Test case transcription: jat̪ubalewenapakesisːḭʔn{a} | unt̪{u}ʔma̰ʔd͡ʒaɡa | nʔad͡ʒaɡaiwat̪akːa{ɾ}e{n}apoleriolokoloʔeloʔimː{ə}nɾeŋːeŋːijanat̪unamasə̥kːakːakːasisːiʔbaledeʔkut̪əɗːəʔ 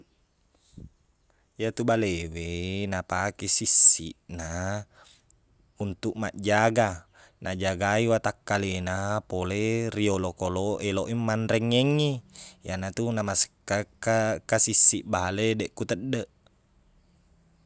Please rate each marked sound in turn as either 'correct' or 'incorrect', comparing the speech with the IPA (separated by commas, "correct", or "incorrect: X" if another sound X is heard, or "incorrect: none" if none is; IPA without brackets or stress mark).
correct, correct, incorrect: l, correct, incorrect: a